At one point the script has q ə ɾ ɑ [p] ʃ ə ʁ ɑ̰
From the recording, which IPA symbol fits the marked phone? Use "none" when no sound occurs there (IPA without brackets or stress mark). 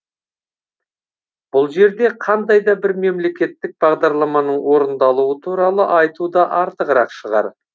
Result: q